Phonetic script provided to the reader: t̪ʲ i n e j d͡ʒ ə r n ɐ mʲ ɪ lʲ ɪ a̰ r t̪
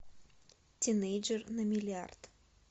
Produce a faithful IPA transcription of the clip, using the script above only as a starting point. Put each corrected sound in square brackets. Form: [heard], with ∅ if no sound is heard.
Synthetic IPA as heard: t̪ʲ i n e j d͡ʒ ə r n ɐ mʲ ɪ lʲ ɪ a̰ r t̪